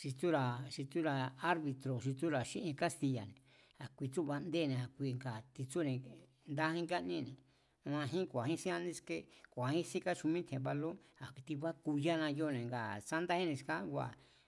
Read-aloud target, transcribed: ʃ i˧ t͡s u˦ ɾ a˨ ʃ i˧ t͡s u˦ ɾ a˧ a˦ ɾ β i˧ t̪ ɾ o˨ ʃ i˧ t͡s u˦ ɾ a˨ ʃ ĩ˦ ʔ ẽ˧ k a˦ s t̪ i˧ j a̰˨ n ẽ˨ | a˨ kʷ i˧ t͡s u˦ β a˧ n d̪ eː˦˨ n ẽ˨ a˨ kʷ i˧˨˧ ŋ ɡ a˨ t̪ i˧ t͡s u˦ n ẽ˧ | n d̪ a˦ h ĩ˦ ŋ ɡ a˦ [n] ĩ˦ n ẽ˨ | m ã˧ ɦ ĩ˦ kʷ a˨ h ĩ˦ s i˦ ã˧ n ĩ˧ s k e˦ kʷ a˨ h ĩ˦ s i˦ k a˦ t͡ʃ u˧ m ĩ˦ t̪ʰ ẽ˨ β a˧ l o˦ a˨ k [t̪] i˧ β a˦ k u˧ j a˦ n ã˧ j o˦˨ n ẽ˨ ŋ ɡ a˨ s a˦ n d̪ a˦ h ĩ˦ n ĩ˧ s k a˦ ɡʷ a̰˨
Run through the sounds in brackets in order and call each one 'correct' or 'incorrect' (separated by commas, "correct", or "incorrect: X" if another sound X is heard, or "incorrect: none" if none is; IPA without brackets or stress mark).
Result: correct, correct